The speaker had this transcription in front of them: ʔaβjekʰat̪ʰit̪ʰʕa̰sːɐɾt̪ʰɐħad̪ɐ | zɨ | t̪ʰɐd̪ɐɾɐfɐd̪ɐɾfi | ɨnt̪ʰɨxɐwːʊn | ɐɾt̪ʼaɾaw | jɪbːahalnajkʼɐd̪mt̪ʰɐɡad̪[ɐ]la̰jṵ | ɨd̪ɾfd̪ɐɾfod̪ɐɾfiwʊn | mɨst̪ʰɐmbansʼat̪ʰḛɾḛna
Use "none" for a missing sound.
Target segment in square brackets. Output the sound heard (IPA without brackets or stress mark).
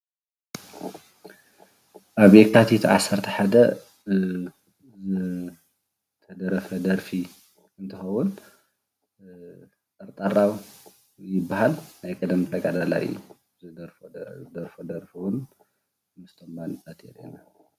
a